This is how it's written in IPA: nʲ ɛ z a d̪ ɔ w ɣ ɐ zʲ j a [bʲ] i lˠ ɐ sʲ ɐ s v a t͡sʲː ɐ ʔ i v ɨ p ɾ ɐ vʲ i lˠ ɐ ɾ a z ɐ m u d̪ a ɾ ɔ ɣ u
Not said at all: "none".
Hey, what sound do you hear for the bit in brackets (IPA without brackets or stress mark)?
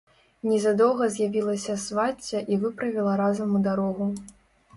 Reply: vʲ